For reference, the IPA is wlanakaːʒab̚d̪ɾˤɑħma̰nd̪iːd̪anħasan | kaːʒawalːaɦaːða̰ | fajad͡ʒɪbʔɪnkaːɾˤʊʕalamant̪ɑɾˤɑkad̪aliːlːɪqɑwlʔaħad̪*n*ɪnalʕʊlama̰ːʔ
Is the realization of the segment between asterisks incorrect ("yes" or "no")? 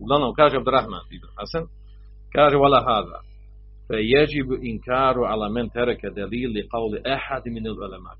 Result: yes